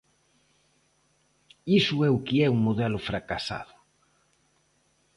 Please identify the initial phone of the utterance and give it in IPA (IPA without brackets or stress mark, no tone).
i